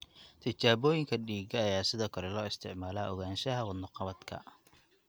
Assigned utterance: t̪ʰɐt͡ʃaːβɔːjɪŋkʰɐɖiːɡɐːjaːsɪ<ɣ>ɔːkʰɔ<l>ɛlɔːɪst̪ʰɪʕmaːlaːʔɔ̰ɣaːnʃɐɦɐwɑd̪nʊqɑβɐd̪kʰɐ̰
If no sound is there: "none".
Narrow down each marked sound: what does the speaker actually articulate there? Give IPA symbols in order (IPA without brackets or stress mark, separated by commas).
ð, ɾ